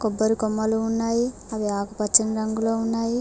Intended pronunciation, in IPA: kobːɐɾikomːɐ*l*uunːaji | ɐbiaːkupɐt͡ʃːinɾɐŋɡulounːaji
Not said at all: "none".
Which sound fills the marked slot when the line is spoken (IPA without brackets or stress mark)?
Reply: l